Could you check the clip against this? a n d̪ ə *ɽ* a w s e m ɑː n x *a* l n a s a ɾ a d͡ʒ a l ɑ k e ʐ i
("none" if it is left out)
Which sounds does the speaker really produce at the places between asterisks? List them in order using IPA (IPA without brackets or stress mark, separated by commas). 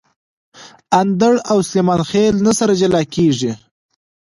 ɽ, e